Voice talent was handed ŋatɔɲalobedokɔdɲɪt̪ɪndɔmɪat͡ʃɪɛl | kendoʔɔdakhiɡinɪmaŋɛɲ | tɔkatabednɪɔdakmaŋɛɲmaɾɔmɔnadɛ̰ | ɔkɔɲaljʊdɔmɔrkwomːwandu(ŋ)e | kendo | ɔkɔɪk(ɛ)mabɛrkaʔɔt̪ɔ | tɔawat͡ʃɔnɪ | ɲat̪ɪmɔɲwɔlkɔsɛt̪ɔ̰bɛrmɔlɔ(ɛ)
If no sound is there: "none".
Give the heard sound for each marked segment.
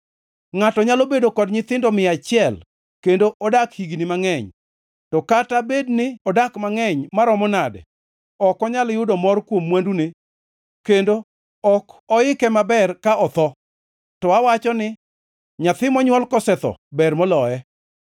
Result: n, ɛ, ɛ

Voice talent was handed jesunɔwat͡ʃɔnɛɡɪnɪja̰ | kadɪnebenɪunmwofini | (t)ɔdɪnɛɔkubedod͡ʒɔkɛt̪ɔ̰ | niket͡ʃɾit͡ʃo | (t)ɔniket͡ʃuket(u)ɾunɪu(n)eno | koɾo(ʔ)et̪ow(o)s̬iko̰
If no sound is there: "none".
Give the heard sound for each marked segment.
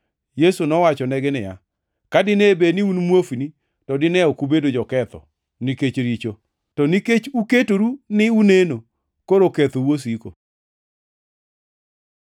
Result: t, t, o, n, k, o

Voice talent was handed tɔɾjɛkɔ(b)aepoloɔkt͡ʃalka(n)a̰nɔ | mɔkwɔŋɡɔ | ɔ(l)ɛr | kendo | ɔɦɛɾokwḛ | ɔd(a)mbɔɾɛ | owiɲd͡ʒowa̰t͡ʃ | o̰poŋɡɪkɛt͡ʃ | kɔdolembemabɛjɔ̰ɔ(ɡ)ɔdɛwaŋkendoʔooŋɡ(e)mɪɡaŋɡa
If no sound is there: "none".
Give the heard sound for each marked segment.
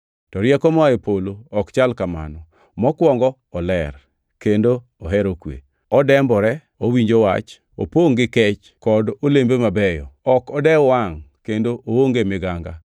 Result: m, m, l, ɛ, k, e

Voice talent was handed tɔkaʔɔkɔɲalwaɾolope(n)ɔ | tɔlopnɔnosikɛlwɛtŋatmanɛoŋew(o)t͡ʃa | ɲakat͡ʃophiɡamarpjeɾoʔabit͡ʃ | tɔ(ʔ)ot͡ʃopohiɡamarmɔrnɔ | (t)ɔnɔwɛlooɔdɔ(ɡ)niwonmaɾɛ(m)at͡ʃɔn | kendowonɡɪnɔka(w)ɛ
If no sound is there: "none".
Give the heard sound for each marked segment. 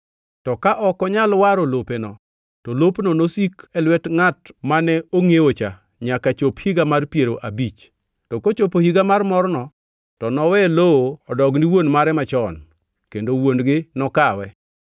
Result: n, o, k, t, ɡ, m, w

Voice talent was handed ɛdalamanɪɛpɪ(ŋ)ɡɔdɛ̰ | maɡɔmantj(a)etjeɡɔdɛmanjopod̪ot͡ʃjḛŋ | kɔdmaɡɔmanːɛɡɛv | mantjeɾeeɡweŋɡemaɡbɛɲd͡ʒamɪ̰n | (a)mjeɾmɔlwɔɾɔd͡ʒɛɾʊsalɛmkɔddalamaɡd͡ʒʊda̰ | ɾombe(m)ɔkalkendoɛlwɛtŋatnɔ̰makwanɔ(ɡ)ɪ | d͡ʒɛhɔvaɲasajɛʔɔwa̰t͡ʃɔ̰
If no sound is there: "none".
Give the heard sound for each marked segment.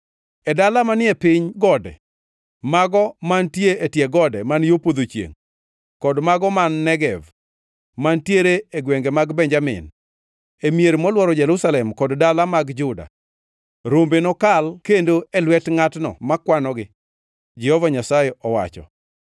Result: ɲ, e, e, n, ɡ

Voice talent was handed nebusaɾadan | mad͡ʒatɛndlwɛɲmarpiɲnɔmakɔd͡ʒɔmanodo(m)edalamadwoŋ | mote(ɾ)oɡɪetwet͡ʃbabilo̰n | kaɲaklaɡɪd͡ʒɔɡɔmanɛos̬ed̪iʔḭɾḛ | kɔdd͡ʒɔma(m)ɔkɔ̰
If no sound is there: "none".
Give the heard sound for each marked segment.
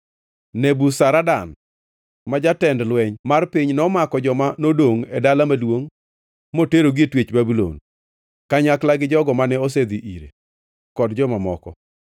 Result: ŋ, ɾ, m

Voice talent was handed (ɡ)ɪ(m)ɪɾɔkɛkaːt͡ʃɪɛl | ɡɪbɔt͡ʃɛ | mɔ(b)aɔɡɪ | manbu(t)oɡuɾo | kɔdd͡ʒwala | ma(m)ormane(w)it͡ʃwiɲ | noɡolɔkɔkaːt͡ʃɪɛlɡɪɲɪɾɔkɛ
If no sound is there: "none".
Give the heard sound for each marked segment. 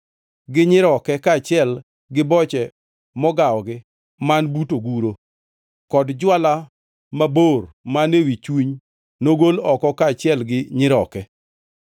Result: ɡ, ɲ, ɡ, t, b, w

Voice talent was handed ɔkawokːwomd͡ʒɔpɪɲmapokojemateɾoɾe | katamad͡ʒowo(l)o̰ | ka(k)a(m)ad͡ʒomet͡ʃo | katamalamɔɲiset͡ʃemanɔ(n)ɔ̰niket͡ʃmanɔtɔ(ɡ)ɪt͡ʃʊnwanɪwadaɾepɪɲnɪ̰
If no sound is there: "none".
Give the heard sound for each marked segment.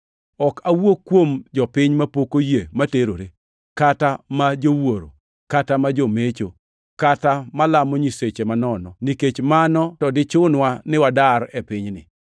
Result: ɾ, t, m, n, d

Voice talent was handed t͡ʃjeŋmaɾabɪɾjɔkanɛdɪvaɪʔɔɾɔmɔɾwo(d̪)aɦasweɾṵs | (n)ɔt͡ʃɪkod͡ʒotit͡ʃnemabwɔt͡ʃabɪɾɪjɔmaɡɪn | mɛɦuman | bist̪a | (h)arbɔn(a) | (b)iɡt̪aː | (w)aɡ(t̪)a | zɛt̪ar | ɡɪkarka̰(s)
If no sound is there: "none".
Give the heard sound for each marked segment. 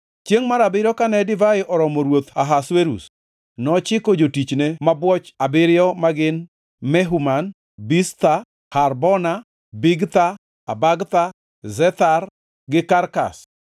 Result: t̪, n, h, a, b, b, t̪, s

